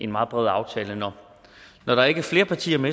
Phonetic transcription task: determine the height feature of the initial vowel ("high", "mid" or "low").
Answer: mid